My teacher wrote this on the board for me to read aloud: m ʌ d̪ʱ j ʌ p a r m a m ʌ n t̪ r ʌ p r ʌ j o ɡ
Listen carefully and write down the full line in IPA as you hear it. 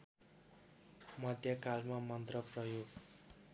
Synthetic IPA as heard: m ʌ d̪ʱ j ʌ k a l m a m ʌ n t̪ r ʌ p r ʌ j o ɡ